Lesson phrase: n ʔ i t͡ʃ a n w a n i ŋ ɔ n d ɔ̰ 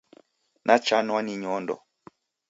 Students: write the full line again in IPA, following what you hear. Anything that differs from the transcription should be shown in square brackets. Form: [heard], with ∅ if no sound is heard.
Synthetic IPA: n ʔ [a] t͡ʃ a n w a n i [ɲ] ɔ n d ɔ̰